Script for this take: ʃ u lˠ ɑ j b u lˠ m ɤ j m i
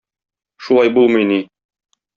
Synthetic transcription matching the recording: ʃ u lˠ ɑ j b u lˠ m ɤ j n i